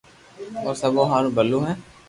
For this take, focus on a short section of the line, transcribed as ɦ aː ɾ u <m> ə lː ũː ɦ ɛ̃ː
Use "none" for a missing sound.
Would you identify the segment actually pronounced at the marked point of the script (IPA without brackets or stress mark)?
b